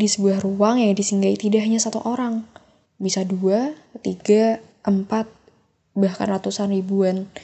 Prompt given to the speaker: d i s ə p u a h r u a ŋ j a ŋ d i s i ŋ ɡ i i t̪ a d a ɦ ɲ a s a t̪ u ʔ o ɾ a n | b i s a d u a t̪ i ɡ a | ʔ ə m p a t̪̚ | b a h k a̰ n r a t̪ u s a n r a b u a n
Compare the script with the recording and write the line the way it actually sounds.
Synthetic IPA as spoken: d i s ə b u a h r u a ŋ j a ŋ d i s i ŋ ɡ a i t̪ i d a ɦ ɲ a s a t̪ u ʔ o ɾ a ŋ | b i s a d u a t̪ i ɡ a | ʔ ə m p a t̪̚ | b a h k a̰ n r a t̪ u s a n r i b u a n